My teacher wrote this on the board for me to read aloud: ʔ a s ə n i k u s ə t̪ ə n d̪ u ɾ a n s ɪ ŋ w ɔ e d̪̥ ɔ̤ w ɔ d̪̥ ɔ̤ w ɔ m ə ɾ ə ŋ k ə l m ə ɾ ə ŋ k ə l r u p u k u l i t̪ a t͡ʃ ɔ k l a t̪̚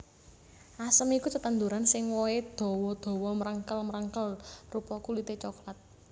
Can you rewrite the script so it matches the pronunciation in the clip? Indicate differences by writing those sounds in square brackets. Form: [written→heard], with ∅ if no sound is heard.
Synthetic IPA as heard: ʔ a s ə [n→m] i k u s ə t̪ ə n d̪ u ɾ a n s ɪ ŋ w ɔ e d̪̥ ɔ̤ w ɔ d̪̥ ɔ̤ w ɔ m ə ɾ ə ŋ k ə l m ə ɾ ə ŋ k ə l r u p [u→ɔ] k u l i t̪ [a→e] t͡ʃ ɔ k l a t̪̚